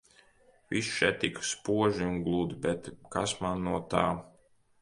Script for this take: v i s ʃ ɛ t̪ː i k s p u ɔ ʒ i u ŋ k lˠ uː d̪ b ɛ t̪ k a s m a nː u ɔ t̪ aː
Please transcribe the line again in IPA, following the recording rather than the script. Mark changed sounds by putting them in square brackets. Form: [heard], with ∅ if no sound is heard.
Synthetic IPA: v i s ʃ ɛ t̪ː i k s p u ɔ ʒ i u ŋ [ɡ] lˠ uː d̪ b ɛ t̪ k a s m a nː u ɔ t̪ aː